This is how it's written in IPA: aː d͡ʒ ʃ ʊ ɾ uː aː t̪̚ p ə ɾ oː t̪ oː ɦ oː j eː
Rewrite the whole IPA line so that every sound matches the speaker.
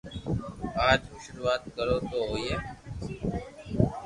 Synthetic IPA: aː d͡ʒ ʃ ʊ ɾ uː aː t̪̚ k ə ɾ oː t̪ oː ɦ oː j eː